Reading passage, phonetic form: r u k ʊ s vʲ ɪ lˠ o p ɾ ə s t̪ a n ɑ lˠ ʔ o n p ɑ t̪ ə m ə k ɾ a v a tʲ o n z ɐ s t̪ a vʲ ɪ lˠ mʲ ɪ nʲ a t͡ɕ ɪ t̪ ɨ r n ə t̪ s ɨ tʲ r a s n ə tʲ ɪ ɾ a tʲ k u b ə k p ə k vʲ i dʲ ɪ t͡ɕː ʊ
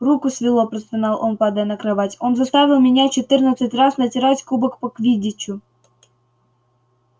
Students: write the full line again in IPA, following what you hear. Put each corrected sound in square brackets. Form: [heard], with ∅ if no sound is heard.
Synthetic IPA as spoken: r u k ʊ s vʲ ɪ lˠ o p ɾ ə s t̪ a n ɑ lˠ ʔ o n p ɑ [d̪] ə [n] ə k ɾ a v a tʲ o n z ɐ s t̪ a vʲ ɪ lˠ mʲ ɪ nʲ a t͡ɕ ɪ t̪ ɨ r n ə t̪ s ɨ tʲ r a s n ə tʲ ɪ ɾ a tʲ k u b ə k p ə k vʲ i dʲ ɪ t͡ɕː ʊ

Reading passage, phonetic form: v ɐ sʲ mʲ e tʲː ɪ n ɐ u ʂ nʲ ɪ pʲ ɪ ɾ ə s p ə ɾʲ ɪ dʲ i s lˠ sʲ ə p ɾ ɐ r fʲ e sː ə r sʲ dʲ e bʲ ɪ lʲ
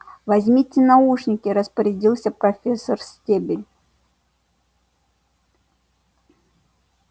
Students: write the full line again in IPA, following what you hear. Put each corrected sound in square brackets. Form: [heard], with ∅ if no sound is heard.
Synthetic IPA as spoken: v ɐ [zʲ] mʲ [i] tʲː ɪ n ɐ u ʂ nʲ ɪ [kʲ] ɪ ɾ ə s p ə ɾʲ ɪ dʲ i [∅] lˠ sʲ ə p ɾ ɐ [∅] fʲ e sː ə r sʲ [tʲ] e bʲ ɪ lʲ

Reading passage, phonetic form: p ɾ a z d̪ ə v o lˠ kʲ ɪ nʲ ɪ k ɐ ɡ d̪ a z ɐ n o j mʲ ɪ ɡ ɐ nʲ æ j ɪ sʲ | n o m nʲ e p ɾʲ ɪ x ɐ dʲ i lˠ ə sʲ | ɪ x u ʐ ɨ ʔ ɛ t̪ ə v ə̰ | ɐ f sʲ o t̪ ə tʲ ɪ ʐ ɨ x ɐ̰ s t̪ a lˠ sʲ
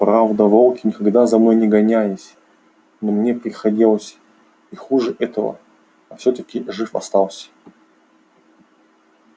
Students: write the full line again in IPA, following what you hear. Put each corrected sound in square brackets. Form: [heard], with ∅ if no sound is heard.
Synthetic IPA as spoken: p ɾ a [v] d̪ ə v o lˠ kʲ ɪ nʲ ɪ k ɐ ɡ d̪ a z ɐ n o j [nʲ] ɪ ɡ ɐ nʲ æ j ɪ sʲ | n o m nʲ e p ɾʲ ɪ x ɐ dʲ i lˠ ə sʲ | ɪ x u ʐ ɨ ʔ ɛ t̪ ə v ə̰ | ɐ f sʲ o t̪ ə [kʲ] ɪ ʐ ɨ [f] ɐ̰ s t̪ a lˠ sʲ

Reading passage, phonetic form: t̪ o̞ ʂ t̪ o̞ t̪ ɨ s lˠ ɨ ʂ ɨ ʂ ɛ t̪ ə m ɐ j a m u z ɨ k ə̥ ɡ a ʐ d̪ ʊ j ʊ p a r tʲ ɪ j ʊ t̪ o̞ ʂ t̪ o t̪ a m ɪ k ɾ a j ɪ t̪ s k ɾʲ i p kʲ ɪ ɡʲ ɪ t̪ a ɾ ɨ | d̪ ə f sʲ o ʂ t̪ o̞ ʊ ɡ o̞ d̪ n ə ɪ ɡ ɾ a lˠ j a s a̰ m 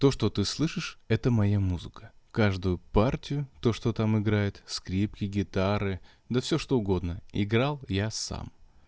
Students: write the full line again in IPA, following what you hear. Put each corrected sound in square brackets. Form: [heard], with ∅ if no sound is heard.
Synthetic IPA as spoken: t̪ o̞ ʂ t̪ o̞ t̪ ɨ s lˠ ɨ ʂ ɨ ʂ ɛ t̪ ə m ɐ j a m u z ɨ k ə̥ [k] a ʐ d̪ ʊ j ʊ p a r tʲ ɪ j ʊ t̪ o̞ ʂ t̪ o t̪ a m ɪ [ɡ] ɾ a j ɪ t̪ s k ɾʲ i p kʲ ɪ ɡʲ ɪ t̪ a ɾ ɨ | d̪ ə f sʲ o ʂ t̪ o̞ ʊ ɡ o̞ d̪ n ə ɪ ɡ ɾ a lˠ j a s a̰ m

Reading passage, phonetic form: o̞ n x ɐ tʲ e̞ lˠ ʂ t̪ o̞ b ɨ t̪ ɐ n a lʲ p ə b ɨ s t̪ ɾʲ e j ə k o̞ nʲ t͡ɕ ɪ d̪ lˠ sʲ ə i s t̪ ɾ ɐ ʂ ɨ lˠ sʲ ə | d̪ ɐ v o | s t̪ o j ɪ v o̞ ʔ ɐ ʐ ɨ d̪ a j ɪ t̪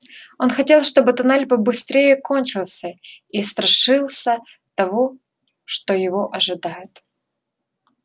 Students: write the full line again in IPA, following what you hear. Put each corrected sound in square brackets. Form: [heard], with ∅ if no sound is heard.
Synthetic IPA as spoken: o̞ n x ɐ tʲ e̞ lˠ ʂ t̪ o̞ b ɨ t̪ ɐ n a lʲ p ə b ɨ s t̪ ɾʲ e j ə k o̞ nʲ t͡ɕ ɪ [∅] lˠ sʲ ə i s t̪ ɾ ɐ ʂ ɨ lˠ sʲ ə | [t̪] ɐ v o | [ʂ] t̪ o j ɪ v o̞ ʔ ɐ ʐ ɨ d̪ a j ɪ t̪

